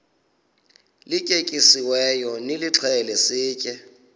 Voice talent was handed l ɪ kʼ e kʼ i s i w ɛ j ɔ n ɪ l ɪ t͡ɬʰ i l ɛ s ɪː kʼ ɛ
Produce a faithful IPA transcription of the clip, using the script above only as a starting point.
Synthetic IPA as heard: l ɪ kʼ e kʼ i s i w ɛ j ɔ n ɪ l ɪ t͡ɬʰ ɛ l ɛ s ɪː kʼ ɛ